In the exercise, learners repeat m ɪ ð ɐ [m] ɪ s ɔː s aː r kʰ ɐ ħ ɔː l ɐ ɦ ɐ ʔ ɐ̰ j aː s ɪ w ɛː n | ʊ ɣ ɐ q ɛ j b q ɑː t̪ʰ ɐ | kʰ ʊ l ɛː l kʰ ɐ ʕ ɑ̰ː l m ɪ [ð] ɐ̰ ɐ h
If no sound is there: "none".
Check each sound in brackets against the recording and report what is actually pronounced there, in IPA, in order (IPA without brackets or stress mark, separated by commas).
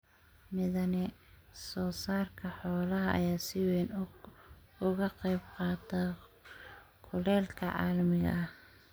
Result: n, ɣ